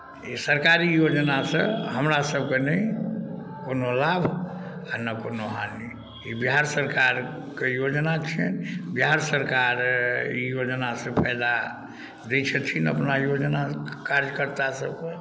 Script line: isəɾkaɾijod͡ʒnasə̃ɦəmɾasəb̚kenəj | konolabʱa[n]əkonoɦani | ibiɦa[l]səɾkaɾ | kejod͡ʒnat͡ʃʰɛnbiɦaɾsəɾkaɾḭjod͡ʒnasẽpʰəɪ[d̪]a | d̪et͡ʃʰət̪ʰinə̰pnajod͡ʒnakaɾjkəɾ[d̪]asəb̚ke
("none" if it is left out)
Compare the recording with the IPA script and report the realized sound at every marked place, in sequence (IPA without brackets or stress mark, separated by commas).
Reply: n, ɾ, d̪, t̪